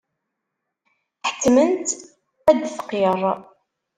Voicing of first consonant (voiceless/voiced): voiceless